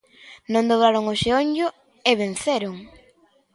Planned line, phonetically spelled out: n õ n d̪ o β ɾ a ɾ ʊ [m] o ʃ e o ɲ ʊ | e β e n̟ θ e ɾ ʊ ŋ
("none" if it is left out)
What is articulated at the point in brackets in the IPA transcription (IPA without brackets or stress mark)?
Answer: ŋ